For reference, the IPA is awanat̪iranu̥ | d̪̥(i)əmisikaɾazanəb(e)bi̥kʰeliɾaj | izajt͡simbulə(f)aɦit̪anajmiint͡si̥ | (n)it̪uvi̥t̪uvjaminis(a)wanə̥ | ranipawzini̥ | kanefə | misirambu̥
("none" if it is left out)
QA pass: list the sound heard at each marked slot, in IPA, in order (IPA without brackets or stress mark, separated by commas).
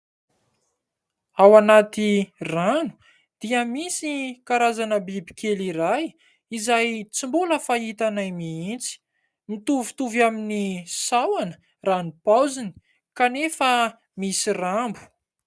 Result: i, i, f, m, a